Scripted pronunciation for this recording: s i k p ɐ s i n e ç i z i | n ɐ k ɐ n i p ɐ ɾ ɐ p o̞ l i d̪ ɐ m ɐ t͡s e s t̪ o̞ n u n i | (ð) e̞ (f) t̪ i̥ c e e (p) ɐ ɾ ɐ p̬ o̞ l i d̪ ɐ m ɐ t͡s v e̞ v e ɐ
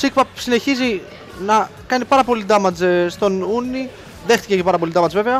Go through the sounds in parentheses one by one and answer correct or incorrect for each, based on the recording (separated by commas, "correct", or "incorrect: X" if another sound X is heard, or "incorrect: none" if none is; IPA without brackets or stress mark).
correct, incorrect: x, correct